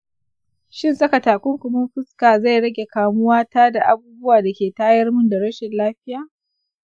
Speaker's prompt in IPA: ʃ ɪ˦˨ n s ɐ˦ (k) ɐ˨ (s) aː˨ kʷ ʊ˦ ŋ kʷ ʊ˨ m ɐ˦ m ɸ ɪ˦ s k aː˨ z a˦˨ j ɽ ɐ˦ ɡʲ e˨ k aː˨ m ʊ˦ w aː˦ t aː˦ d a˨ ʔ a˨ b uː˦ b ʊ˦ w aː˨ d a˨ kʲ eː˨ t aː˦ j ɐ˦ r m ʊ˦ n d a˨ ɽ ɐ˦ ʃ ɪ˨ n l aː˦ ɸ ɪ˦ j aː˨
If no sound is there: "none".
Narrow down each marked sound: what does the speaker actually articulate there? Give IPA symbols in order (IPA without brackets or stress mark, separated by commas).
k, t